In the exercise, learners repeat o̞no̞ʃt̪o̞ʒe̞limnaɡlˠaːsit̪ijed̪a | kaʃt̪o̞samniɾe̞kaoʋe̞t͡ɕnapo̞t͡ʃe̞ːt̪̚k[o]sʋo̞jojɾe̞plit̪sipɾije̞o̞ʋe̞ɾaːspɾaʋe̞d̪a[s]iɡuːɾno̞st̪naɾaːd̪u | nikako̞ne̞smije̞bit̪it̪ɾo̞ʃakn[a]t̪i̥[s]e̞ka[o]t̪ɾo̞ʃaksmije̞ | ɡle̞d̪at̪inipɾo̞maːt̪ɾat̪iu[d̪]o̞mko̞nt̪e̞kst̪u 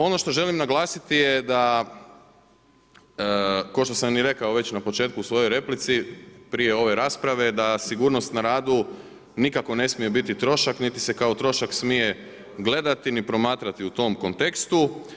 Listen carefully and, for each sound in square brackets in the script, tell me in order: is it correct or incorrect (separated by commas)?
incorrect, correct, incorrect, correct, correct, incorrect